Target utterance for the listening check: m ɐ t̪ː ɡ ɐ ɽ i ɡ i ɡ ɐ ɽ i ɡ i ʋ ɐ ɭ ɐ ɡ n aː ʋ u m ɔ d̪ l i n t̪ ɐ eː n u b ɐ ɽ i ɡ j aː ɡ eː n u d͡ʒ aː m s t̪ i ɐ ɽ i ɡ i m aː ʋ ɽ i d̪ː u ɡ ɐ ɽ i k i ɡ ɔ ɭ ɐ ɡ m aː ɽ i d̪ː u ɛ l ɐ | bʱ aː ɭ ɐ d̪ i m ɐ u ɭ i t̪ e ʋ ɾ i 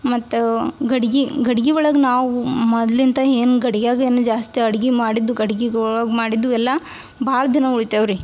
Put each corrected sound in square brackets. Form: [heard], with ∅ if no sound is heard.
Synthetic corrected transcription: m ɐ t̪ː ɡ ɐ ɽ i ɡ i ɡ ɐ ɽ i ɡ i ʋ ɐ ɭ ɐ ɡ n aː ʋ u m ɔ d̪ l i n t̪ ɐ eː n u [ɡ] ɐ ɽ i ɡ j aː ɡ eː n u d͡ʒ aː [∅] s t̪ i ɐ ɽ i ɡ i m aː [∅] ɽ i d̪ː u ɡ ɐ ɽ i [ɡ] i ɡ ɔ ɭ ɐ ɡ m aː ɽ i d̪ː u ɛ [lː] ɐ | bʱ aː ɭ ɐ d̪ i [n] ɐ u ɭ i t̪ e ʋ ɾ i